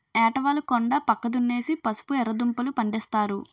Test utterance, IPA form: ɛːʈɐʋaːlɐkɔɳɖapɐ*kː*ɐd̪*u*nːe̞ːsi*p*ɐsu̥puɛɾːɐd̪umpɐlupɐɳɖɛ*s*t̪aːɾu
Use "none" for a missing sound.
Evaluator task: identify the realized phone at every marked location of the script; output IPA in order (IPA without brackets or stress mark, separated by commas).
kː, u, p, s